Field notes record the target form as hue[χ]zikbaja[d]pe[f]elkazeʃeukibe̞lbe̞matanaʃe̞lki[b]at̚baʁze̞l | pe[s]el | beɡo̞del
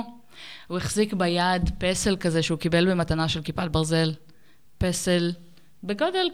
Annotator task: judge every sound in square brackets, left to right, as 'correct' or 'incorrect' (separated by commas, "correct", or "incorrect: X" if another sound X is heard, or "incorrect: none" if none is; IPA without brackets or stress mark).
correct, correct, incorrect: s, incorrect: p, correct